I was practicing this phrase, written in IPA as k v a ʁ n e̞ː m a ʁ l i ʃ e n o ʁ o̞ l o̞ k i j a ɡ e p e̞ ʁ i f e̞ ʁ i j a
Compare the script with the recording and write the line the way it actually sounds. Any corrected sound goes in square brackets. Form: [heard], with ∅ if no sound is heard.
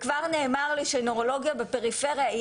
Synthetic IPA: k v a ʁ n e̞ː m a ʁ l i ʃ e n o ʁ o̞ l o̞ [ɡ] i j a [b] e p e̞ ʁ i f e̞ ʁ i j a